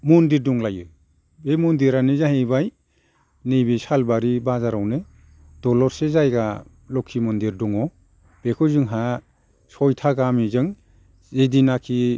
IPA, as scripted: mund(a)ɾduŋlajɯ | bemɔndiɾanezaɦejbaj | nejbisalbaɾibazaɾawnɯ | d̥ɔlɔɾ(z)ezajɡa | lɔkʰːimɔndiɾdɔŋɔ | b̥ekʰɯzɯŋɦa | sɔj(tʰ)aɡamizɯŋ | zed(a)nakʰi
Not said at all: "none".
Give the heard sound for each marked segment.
i, s, tʰ, i

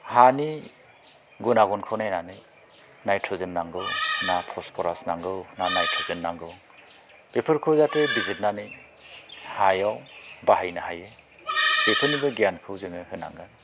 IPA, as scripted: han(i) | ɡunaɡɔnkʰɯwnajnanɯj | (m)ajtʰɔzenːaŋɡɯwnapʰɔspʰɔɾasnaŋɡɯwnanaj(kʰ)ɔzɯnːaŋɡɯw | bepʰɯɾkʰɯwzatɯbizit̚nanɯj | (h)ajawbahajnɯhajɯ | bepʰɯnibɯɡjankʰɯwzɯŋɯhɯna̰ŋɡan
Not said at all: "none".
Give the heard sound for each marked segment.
i, n, tʰ, h

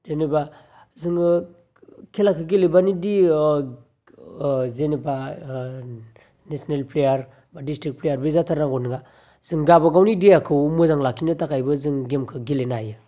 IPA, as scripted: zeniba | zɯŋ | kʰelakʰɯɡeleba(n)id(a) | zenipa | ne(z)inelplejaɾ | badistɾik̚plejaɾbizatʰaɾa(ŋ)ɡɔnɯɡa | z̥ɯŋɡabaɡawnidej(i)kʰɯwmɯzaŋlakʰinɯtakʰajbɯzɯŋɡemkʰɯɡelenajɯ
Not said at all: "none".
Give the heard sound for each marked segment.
n, i, s, ŋ, a

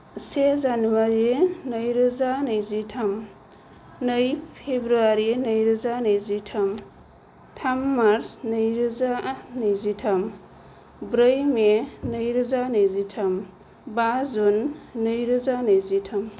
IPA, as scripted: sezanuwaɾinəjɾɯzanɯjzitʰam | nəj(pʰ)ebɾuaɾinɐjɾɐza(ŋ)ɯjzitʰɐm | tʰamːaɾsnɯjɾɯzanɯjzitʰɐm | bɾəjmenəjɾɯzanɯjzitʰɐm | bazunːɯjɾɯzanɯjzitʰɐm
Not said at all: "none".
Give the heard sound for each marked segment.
pʰ, n

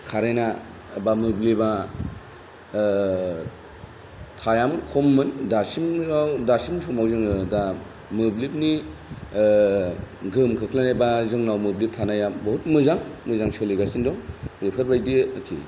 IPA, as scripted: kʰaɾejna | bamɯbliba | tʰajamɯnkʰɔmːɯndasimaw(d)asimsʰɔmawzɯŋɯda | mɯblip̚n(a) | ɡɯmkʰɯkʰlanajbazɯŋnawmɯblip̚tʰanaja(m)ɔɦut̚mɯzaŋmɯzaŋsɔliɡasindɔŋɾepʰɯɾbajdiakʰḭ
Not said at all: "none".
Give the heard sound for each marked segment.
d, i, b

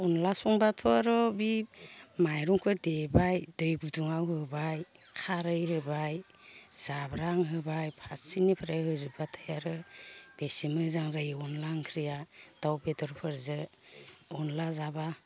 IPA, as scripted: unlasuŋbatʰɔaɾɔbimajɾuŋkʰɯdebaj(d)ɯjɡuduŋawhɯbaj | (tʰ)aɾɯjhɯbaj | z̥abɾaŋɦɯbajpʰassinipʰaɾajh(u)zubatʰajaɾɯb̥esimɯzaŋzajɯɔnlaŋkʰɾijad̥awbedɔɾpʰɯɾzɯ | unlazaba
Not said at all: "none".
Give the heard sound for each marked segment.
d, kʰ, ɯ

